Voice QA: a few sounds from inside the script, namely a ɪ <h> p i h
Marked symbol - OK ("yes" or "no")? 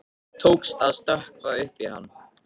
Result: yes